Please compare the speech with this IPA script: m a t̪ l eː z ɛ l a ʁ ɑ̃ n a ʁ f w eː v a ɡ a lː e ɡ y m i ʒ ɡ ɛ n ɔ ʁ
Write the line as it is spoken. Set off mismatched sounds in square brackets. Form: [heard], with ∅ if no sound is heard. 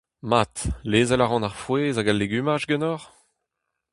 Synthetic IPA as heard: m a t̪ l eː z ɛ l a ʁ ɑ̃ n a ʁ f w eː [z] a ɡ a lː e ɡ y m [a] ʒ ɡ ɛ n ɔ ʁ